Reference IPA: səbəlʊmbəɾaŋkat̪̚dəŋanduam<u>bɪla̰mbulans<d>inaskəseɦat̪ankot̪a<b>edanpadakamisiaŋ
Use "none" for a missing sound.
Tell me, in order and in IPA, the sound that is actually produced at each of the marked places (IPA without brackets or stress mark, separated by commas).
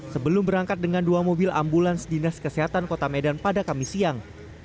o, d, m